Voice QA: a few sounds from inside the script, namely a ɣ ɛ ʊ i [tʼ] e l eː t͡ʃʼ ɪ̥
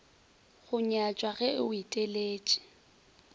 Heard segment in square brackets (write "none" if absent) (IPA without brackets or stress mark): tʼ